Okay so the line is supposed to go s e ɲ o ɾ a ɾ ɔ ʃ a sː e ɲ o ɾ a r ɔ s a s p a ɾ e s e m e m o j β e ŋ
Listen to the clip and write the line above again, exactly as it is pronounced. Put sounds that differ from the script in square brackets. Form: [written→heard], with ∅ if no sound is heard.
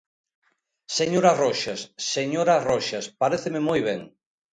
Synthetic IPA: s e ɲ o ɾ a [ɾ→r] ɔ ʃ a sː e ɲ o ɾ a r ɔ [s→ʃ] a s p a ɾ e [s→θ] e m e m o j β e ŋ

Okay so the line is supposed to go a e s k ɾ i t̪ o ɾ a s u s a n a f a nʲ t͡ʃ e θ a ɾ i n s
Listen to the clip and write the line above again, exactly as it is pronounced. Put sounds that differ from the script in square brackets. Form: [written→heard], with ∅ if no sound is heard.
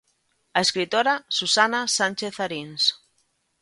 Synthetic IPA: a e s k ɾ i t̪ o ɾ a s u s a n a [f→s] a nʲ t͡ʃ e θ a ɾ i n s

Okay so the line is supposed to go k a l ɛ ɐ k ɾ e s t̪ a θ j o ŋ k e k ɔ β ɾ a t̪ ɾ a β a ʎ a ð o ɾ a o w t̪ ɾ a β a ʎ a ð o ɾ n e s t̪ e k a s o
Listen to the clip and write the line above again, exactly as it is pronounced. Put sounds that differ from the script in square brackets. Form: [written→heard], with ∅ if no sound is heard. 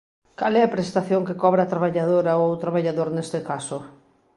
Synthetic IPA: k a l ɛ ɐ [k→p] ɾ e s t̪ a θ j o ŋ k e k ɔ β ɾ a t̪ ɾ a β a ʎ a ð o ɾ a o w t̪ ɾ a β a ʎ a ð o ɾ n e s t̪ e k a s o

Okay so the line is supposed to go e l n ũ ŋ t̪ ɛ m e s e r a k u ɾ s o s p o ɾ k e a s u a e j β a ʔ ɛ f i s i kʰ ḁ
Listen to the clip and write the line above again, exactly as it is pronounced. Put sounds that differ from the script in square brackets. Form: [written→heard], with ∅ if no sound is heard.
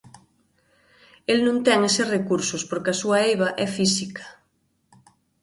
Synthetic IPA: e l n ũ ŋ t̪ ɛ [m→ŋ] e s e r [a→e] k u ɾ s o s p o ɾ k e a s u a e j β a ʔ ɛ f i s i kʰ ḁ

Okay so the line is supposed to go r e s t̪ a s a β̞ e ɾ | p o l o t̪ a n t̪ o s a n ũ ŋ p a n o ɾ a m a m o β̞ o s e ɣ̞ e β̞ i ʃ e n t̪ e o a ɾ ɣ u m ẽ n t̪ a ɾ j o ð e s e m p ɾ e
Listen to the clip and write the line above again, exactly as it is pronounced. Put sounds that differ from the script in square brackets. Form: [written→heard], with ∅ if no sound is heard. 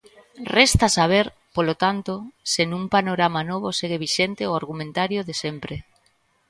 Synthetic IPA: r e s t̪ a s a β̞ e ɾ | p o l o t̪ a n t̪ o s [a→e] n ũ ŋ p a n o ɾ a m a [m→n] o β̞ o s e ɣ̞ e β̞ i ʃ e n t̪ e o a ɾ ɣ u m ẽ n t̪ a ɾ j o ð e s e m p ɾ e

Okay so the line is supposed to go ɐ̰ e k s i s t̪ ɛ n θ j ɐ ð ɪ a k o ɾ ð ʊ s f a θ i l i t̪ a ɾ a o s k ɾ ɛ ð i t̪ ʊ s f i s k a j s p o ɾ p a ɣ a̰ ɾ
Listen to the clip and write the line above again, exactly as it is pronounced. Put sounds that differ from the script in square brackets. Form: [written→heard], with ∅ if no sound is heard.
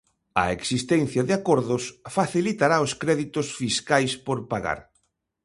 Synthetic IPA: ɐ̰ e k s i s t̪ ɛ n θ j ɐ ð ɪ a k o ɾ ð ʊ s f a θ i l i t̪ a ɾ a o s k ɾ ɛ ð i t̪ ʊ s f i s k a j s p o ɾ p a ɣ a̰ ɾ

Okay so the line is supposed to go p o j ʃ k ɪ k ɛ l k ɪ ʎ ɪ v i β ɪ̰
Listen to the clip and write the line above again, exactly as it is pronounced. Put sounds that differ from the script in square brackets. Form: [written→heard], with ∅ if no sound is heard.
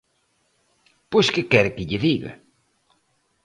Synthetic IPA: p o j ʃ k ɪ k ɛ [l→ɾ] k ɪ ʎ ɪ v i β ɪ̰

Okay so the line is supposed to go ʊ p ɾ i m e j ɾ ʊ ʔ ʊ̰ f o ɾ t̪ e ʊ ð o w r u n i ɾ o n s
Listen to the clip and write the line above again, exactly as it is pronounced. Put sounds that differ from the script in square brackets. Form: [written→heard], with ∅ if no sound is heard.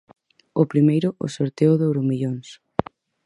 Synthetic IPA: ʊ p ɾ i m e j ɾ ʊ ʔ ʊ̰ [f→s] o ɾ t̪ e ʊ ð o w [r→ɾ] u [n→m] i [ɾ→ʎ] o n s

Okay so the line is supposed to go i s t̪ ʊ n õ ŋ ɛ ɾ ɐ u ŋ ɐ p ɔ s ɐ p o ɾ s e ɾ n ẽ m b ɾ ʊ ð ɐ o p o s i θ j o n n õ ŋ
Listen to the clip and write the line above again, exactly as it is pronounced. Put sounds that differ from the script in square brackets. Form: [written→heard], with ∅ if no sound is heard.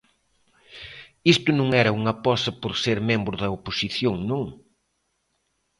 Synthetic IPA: i s t̪ ʊ n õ ŋ ɛ ɾ ɐ u ŋ ɐ p ɔ s ɐ p o ɾ s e ɾ [n→m] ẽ m b ɾ ʊ ð ɐ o p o s i θ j o [n→ŋ] n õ ŋ

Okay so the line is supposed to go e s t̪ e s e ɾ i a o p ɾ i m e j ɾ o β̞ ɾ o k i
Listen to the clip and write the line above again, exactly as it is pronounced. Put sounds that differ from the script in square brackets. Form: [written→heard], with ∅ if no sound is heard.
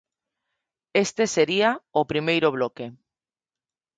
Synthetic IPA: e s t̪ e s e ɾ i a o p ɾ i m e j ɾ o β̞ [ɾ→l] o k [i→e]

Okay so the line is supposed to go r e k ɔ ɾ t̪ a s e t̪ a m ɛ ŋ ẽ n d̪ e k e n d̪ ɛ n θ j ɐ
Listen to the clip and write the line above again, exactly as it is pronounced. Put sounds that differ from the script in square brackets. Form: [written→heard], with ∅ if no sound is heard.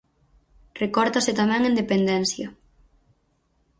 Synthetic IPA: r e k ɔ ɾ t̪ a s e t̪ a m ɛ ŋ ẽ n d̪ e [k→p] e n d̪ ɛ n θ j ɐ

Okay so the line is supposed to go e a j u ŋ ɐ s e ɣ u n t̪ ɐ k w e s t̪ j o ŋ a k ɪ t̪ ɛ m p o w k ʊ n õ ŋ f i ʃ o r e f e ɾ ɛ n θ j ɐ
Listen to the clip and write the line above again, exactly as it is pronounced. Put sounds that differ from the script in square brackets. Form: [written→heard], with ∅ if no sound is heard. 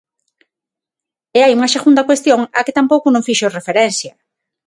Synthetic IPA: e a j u ŋ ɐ s e ɣ u n [t̪→d̪] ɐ k w e s t̪ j o ŋ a k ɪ t̪ [ɛ→a] m p o w k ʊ n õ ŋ f i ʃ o r e f e ɾ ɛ n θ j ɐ

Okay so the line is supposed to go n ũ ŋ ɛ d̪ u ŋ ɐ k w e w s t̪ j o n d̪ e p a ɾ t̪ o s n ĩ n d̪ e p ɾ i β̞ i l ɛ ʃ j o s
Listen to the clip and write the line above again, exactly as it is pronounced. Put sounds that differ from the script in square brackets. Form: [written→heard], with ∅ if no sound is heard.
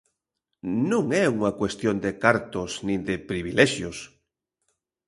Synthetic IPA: n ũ ŋ ɛ [d̪→∅] u ŋ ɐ k w e [w→∅] s t̪ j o n d̪ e [p→k] a ɾ t̪ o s n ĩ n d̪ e p ɾ i β̞ i l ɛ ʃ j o s

